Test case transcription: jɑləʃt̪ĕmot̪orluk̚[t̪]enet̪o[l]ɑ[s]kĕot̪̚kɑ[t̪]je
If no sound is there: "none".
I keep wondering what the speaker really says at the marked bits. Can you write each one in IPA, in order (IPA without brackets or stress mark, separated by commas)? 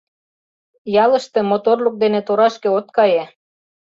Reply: d̪, ɾ, ʃ, none